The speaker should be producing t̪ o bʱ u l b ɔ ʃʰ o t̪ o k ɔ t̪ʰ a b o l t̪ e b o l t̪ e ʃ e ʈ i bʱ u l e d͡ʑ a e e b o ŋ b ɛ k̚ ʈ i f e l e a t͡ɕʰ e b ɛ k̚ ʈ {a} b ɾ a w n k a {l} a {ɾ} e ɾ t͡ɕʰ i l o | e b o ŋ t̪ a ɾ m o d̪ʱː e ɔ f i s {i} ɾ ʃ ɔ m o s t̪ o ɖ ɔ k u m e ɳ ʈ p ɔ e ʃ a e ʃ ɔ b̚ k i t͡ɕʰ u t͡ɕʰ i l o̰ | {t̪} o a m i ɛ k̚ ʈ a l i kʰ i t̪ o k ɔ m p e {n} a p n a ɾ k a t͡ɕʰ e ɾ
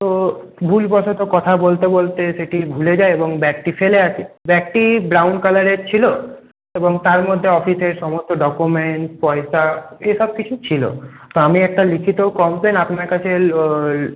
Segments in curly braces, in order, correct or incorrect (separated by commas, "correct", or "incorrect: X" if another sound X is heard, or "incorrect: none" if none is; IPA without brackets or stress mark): incorrect: i, correct, correct, incorrect: e, correct, correct